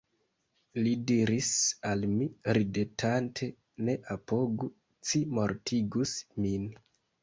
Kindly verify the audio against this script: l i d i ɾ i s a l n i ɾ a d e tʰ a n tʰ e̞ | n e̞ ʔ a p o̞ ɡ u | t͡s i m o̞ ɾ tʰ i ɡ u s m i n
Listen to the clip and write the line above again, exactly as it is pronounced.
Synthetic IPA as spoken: l i d i ɾ i s a l m i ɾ i d e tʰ a n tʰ e̞ | n e̞ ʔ a p o̞ ɡ u | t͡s i m o̞ ɾ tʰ i ɡ u s m i n